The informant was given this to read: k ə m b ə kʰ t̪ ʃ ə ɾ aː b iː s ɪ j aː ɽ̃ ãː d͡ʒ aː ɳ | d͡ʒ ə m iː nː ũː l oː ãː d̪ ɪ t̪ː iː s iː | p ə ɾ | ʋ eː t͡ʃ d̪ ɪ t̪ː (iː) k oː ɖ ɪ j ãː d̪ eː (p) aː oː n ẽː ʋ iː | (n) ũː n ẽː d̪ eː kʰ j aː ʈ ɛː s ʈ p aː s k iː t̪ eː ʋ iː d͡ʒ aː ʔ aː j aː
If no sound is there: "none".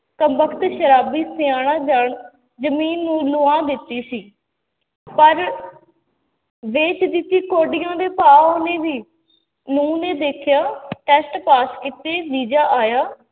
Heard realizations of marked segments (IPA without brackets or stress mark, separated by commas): iː, p, n